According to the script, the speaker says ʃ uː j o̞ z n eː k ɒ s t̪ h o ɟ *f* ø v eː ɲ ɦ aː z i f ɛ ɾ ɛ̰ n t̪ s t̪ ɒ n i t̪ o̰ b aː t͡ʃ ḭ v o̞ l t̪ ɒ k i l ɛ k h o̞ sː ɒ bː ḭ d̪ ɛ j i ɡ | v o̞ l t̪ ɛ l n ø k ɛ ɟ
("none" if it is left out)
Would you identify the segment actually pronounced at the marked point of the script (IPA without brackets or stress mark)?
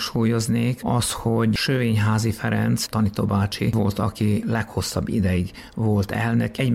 ʃ